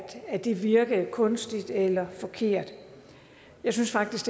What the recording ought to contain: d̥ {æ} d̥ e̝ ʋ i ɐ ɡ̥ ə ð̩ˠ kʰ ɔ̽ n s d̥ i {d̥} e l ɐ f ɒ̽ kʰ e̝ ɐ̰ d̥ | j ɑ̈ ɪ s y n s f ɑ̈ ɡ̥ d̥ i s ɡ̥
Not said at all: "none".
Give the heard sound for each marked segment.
æ, d̥

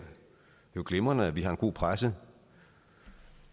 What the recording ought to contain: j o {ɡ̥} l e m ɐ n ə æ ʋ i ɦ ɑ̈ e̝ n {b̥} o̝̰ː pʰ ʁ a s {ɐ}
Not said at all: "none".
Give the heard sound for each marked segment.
ɡ̥, ɡ̥, ə

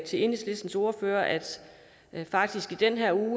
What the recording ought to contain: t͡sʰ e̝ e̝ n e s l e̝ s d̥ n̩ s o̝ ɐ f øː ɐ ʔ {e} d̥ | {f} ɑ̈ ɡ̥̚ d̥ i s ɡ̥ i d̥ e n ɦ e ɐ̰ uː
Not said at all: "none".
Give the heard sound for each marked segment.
æ, f

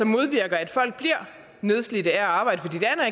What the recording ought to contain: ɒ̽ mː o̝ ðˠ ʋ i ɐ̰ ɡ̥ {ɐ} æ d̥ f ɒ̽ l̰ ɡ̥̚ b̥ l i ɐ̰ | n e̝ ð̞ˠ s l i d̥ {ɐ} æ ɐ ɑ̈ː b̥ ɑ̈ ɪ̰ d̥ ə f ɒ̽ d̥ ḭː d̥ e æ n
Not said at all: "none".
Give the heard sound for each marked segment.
ɐ, ə

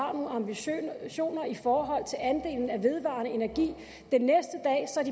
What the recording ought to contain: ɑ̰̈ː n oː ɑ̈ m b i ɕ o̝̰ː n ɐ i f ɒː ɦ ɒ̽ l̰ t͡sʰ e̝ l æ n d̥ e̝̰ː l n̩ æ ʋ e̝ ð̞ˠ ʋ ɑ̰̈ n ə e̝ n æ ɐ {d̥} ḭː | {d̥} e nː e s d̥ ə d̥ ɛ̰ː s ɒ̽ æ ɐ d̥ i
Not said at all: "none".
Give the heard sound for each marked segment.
ɡ̥, d̥

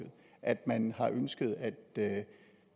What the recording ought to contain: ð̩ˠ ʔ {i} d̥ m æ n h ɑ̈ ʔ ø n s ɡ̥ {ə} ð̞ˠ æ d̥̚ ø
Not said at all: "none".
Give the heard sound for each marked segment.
æ, ə

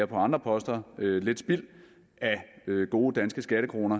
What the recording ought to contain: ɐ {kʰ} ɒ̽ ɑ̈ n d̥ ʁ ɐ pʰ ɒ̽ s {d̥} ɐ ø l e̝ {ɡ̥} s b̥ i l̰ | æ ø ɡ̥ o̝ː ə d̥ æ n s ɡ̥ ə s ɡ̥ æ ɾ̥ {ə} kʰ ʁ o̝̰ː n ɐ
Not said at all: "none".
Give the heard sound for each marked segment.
pʰ, d̥, d̥, ə

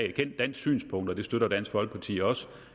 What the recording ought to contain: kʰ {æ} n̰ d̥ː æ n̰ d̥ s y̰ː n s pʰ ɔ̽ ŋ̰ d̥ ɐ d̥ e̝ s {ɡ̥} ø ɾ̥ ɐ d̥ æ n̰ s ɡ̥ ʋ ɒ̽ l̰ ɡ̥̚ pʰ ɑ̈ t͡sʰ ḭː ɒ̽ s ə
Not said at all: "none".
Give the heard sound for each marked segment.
e, d̥

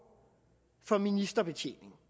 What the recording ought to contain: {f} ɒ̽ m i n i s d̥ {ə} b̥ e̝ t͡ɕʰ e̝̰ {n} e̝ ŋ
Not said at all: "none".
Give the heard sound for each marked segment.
f, ɐ, n

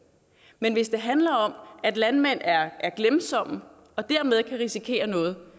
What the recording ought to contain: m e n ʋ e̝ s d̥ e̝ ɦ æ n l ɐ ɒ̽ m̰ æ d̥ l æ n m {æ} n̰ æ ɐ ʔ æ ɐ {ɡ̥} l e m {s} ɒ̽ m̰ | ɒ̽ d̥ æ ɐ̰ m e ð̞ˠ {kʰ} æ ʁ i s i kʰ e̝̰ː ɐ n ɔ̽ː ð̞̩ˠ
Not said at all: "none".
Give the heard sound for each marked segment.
e, ɡ̥, s, kʰ

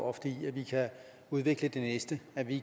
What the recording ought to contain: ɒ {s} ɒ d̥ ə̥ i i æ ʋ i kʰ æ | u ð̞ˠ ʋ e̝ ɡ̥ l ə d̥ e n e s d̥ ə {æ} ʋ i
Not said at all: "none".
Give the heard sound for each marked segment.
f, æ

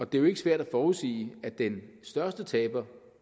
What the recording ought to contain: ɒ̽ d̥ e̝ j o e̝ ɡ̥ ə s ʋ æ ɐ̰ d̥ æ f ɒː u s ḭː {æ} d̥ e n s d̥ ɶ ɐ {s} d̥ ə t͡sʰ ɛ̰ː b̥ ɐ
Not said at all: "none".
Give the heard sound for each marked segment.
æ, s

